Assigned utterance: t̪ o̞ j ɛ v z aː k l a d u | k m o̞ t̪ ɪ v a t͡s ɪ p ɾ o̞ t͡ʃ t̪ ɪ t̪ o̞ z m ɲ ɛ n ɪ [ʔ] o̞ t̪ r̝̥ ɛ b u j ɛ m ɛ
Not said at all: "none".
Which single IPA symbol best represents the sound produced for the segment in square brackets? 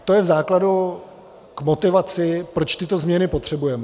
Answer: p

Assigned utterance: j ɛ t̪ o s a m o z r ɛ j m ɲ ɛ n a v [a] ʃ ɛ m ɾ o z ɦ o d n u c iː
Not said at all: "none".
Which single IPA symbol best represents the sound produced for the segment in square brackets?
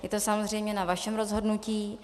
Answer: a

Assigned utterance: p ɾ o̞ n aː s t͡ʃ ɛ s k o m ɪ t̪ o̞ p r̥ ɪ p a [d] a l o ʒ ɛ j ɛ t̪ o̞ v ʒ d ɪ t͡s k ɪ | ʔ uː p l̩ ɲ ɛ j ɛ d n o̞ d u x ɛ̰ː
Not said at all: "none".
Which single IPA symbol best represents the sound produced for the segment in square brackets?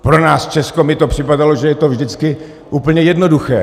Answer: d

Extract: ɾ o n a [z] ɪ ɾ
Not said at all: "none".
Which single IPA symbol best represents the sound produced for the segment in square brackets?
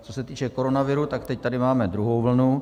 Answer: v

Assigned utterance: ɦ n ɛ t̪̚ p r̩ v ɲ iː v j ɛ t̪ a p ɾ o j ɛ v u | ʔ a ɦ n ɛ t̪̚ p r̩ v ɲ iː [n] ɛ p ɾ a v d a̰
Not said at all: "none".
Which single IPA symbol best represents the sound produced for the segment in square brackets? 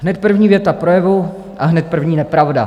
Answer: n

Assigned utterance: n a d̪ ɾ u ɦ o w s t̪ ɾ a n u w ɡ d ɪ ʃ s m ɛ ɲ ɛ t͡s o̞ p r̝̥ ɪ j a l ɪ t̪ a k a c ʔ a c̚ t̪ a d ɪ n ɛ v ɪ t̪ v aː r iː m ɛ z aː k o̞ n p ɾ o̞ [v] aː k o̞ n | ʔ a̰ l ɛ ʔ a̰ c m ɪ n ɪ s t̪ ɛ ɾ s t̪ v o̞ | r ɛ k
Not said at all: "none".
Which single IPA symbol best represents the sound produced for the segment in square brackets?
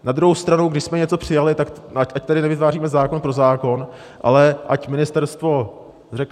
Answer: z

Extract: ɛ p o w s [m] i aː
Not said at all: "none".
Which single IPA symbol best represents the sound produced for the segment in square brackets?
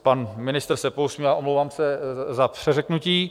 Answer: m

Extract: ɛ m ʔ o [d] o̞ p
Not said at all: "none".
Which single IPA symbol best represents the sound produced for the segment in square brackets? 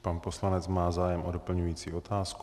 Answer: d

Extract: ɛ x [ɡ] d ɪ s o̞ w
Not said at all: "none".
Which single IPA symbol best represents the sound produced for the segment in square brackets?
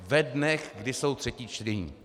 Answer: ɡ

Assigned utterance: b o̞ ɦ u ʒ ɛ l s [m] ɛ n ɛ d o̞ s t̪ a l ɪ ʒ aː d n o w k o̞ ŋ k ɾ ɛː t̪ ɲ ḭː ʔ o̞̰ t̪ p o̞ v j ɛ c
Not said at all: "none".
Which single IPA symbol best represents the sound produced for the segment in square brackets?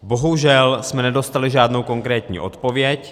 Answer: m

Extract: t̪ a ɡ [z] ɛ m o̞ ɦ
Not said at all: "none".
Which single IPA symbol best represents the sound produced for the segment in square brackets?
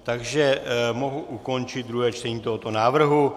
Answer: ʒ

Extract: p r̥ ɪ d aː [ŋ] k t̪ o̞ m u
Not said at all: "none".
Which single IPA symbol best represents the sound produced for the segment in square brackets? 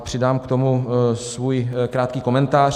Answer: m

